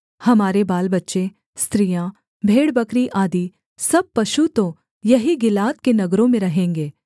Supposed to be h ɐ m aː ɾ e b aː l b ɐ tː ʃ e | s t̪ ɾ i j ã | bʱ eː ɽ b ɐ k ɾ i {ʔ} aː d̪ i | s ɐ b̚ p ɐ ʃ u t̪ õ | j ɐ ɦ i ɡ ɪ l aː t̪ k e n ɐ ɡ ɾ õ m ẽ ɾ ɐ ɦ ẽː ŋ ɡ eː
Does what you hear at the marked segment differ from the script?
no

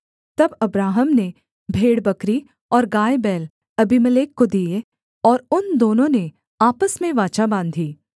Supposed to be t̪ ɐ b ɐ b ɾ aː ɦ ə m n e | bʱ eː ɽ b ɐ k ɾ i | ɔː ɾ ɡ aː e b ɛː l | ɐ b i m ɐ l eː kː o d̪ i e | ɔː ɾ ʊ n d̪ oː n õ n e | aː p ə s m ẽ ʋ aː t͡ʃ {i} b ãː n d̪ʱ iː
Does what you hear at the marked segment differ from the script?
yes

